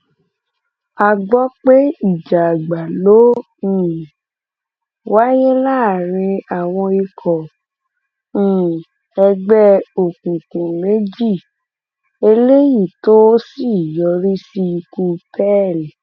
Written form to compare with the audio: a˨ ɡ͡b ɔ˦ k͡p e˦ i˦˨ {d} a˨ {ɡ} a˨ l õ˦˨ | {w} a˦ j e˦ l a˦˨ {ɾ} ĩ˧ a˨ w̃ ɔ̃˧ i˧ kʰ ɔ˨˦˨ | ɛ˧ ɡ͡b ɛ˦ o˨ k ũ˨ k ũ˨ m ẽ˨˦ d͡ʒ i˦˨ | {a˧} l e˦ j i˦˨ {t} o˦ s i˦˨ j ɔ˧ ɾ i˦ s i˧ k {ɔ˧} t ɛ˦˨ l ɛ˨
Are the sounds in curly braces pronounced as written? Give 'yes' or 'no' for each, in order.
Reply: no, no, yes, yes, no, yes, no

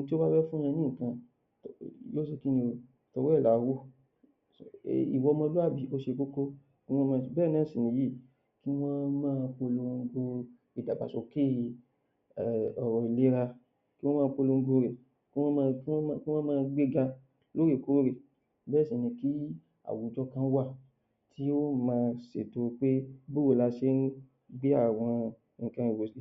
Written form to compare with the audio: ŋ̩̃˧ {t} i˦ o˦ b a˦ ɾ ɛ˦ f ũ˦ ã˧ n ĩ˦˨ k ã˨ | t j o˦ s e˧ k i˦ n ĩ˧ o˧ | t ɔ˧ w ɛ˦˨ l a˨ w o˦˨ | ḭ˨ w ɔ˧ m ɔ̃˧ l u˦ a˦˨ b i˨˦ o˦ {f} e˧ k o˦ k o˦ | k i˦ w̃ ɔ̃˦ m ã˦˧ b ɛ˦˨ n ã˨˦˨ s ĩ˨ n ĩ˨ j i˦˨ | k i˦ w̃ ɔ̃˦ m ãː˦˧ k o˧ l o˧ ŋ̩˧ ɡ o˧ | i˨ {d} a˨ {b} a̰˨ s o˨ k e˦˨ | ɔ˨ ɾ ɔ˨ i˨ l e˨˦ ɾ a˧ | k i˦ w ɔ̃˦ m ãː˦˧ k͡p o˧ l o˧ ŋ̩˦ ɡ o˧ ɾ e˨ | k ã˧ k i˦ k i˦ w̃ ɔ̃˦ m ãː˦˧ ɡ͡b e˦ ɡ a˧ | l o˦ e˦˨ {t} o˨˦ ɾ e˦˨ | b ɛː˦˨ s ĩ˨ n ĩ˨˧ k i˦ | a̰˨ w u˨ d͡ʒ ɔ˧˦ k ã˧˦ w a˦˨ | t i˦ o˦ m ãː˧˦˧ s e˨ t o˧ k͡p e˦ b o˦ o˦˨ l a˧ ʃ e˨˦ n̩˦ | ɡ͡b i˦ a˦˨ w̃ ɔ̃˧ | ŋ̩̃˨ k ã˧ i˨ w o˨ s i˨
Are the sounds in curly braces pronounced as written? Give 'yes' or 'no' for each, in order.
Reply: yes, no, yes, yes, no

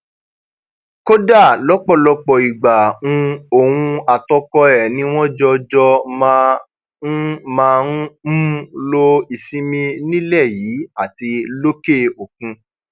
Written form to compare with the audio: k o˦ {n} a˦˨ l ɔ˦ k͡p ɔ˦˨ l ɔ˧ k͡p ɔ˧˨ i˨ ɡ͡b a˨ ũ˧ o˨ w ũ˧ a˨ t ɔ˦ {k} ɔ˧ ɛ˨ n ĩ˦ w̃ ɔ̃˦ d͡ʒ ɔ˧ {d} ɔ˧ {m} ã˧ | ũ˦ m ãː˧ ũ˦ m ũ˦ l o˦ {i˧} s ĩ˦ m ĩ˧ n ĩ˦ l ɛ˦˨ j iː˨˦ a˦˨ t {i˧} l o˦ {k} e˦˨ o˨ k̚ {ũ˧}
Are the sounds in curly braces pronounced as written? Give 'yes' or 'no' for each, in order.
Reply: no, yes, no, yes, yes, yes, yes, yes

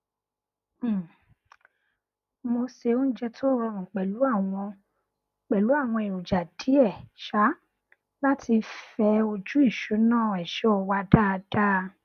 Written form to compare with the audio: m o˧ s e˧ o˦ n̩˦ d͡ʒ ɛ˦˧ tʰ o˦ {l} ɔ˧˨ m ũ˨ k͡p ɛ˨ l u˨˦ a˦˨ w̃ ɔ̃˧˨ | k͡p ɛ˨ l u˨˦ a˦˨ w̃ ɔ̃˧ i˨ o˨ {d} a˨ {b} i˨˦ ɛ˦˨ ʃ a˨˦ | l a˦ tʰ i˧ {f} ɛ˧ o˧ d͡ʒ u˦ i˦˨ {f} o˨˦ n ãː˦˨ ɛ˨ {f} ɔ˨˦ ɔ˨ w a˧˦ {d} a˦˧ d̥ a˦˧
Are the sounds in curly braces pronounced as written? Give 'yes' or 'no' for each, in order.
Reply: no, no, no, yes, no, no, yes

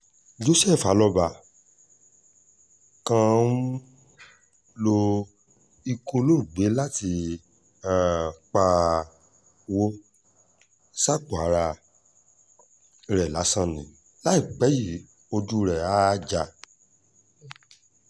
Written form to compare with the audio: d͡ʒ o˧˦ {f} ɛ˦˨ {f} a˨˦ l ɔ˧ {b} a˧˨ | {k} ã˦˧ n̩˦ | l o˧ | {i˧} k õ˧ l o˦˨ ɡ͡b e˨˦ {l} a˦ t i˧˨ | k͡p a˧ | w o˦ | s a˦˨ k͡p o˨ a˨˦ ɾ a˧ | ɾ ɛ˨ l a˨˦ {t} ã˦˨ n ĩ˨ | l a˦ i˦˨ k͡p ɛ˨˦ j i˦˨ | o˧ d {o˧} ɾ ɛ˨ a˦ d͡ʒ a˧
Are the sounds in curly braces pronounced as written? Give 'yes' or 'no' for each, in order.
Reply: no, yes, yes, yes, yes, yes, no, no

